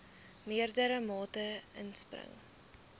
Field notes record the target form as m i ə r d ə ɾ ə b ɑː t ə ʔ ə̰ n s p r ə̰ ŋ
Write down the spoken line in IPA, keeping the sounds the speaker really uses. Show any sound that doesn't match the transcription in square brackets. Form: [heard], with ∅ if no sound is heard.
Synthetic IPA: m i ə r d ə ɾ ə [m] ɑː t ə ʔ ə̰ n s p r ə̰ ŋ